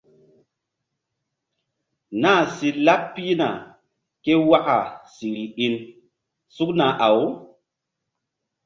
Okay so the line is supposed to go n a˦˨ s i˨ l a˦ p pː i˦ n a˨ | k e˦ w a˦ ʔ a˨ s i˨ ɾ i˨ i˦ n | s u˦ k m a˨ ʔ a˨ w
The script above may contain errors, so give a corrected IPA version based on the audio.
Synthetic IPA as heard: n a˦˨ s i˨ l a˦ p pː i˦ n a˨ | k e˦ w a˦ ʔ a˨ s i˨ ɾ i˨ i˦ n | s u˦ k n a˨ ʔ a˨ w